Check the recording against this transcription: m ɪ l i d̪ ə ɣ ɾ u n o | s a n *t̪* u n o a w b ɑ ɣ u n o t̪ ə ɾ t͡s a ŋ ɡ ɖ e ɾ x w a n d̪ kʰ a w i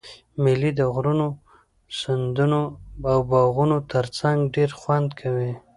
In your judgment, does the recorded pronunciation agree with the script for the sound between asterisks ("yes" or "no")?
no